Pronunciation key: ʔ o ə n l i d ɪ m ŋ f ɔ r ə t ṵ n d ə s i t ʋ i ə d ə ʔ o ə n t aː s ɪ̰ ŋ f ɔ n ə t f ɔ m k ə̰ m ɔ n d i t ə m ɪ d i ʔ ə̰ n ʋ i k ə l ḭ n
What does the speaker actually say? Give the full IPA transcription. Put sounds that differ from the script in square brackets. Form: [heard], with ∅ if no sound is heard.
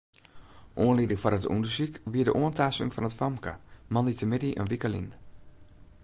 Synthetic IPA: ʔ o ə n l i d ɪ [∅] ŋ f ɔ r ə t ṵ n d ə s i [k] ʋ i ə d ə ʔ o ə n t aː s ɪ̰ ŋ f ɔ n ə t f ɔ m k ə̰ m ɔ n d i t ə m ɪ d i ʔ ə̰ n ʋ i k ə l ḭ n